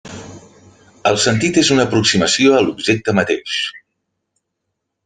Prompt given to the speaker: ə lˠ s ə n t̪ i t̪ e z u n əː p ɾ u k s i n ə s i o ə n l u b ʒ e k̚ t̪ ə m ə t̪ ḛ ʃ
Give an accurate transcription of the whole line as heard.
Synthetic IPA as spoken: ə lˠ s ə n t̪ i t̪ e z u n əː p ɾ u k s i m ə s i o ə l u b ʒ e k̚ t̪ ə m ə t̪ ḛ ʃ